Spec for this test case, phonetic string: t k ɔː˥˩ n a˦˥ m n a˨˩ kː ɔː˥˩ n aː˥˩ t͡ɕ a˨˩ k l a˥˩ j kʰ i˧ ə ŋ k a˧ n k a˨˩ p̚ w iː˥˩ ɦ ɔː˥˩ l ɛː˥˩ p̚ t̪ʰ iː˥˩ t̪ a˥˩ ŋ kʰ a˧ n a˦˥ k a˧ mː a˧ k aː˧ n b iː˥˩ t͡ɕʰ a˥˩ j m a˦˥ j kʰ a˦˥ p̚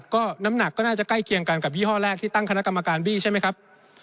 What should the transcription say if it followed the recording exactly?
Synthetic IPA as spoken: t k ɔː˥˩ n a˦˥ m n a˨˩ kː ɔː˥˩ n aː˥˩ t͡ɕ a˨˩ k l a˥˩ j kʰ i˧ ə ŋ k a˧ n k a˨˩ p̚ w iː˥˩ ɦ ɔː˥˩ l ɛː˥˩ k̚ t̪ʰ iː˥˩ t̪ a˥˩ ŋ kʰ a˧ n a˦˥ k a˧ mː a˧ k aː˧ n b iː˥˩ t͡ɕʰ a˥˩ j m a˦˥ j kʰ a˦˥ p̚